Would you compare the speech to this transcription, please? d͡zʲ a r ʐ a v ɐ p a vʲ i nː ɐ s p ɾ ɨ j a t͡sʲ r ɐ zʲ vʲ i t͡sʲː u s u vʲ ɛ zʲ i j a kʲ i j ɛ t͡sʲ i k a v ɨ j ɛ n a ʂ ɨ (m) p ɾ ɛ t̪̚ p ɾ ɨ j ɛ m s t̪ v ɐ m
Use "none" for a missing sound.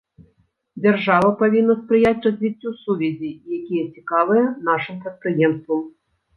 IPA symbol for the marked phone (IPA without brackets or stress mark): m